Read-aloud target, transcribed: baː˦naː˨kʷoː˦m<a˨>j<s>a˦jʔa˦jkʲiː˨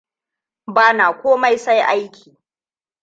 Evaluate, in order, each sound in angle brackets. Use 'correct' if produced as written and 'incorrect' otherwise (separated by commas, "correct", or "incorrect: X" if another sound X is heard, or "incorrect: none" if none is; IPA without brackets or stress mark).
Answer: incorrect: a˦, correct